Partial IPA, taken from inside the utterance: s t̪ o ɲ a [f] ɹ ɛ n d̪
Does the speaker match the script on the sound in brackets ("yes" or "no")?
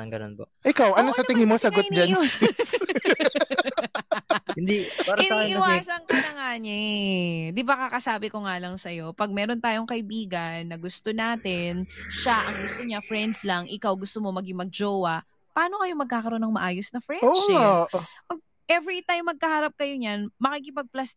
yes